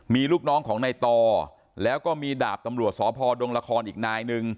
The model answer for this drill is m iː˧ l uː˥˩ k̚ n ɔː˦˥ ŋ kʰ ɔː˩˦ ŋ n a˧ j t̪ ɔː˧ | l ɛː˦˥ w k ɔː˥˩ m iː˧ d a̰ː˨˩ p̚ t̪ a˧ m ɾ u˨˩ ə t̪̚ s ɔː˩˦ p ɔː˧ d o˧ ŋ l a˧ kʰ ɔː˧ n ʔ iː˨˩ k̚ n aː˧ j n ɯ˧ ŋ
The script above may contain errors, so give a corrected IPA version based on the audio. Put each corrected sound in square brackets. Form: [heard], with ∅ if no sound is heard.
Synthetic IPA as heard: m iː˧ l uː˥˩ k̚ n ɔː˦˥ ŋ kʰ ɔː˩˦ ŋ n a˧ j t̪ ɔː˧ | l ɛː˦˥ w k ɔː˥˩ m iː˧ d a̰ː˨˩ p̚ t̪ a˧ m ɾ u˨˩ ə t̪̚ s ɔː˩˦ [pʰ] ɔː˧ d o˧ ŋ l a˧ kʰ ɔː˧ n ʔ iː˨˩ k̚ n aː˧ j n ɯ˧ ŋ